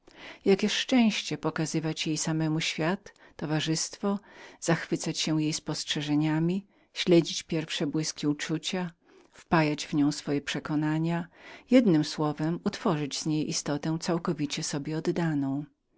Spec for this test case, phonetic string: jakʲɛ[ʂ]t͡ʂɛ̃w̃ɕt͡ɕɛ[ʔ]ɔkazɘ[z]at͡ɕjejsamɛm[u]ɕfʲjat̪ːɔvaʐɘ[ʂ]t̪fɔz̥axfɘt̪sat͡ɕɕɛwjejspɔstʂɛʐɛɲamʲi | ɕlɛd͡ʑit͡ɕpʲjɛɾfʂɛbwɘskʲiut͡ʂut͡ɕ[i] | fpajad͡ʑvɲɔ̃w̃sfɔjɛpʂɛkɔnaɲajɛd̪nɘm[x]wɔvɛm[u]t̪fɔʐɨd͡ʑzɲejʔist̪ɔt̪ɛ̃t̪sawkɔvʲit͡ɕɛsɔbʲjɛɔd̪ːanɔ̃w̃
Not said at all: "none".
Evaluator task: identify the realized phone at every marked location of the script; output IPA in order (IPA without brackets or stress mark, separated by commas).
ʂ, p, v, u, s, a, s, u